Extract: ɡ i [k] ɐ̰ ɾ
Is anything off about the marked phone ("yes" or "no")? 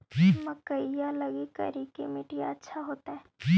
no